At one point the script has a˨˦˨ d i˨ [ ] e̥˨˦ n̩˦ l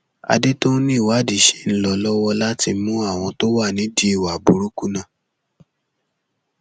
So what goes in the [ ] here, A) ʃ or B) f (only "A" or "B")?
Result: A